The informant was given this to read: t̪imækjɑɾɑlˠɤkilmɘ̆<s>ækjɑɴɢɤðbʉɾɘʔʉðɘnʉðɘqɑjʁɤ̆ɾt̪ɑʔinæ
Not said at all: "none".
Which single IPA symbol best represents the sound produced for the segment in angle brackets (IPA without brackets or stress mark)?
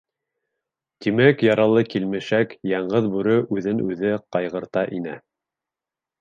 ʃ